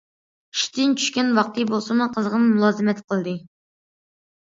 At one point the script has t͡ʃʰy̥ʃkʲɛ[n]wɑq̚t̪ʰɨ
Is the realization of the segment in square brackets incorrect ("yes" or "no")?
no